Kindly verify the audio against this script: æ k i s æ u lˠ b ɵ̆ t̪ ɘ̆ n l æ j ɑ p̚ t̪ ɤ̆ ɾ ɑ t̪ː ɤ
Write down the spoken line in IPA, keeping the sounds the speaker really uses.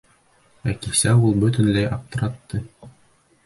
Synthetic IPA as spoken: æ k i s æ u lˠ b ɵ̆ t̪ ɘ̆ n l æ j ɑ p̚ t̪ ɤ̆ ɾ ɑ t̪ː ɤ